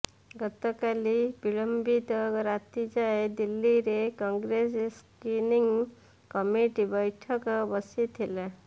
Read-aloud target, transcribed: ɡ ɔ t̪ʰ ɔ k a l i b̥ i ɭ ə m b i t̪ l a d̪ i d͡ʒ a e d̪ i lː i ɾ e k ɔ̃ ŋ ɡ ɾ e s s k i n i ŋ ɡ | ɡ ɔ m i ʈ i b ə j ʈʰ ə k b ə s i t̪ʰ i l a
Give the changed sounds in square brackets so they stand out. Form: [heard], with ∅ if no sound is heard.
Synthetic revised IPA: ɡ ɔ [t̪] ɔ k a l i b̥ i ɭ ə m b i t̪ [ɾ] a [t̪] i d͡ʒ a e d̪ i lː i ɾ e k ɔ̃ ŋ ɡ ɾ e s s k i n i ŋ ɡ | [k] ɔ m i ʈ i b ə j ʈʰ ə k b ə s i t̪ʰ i l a